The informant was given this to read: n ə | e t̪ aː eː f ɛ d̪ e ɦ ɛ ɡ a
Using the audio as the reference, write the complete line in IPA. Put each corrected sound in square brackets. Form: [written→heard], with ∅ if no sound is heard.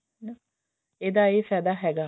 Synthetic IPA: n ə | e [t̪→d̪] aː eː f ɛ d̪ [e→a] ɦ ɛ ɡ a